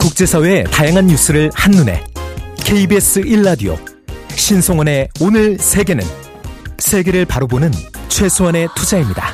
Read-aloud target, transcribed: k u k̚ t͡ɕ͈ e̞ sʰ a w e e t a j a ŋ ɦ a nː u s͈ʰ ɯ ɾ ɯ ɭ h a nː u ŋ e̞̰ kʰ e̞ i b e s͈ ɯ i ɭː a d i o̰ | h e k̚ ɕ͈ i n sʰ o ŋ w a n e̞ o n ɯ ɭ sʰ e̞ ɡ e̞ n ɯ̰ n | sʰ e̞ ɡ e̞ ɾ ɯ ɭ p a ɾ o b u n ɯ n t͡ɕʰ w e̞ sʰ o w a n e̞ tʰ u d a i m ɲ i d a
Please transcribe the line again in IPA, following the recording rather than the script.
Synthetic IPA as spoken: k u k̚ t͡ɕ͈ e̞ sʰ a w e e t a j a ŋ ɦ a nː u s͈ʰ ɯ ɾ ɯ ɭ h a nː u n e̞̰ kʰ e̞ i b e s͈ ɯ i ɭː a d i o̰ | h e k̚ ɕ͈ i n sʰ o ŋ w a n e̞ o n ɯ ɭ sʰ e̞ ɡ e̞ n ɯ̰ n | sʰ e̞ ɡ e̞ ɾ ɯ ɭ p a ɾ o b o n ɯ n t͡ɕʰ w e̞ sʰ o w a n e̞ tʰ u d͡ʑ a i m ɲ i d a